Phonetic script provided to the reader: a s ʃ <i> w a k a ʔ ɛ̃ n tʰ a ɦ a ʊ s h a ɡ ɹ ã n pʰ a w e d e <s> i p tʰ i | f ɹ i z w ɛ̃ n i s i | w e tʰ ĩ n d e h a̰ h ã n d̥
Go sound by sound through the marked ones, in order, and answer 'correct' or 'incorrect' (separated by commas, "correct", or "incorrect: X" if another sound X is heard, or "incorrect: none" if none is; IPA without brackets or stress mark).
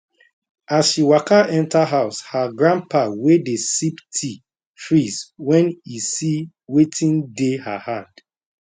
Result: correct, correct